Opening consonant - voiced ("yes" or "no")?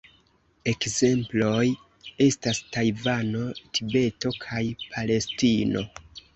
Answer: no